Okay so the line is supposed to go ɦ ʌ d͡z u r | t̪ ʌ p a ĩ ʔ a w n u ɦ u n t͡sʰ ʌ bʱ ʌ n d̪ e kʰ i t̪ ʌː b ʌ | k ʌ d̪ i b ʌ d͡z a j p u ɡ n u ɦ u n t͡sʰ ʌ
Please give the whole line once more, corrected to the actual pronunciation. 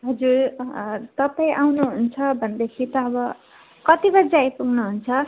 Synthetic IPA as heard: ɦ ʌ d͡z u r | t̪ ʌ p a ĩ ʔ a w n u ɦ u n t͡sʰ ʌ bʱ ʌ n d̪ e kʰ i t̪ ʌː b ʌ | k ʌ t̪ i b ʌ d͡z a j p u ɡ n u ɦ u n t͡sʰ ʌ